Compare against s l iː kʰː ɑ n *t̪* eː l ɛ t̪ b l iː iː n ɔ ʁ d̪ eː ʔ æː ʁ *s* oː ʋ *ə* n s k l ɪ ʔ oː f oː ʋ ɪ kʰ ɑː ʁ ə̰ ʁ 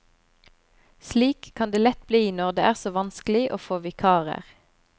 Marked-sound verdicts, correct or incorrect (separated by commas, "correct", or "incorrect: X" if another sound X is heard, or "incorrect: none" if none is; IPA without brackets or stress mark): incorrect: d̪, correct, incorrect: ɑ